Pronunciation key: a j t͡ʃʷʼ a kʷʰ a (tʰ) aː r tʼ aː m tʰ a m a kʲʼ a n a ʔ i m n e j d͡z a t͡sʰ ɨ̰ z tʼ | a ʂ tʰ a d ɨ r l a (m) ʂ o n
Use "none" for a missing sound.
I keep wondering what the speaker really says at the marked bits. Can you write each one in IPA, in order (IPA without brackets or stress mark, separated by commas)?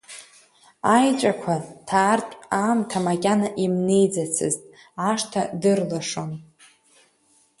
tʰ, none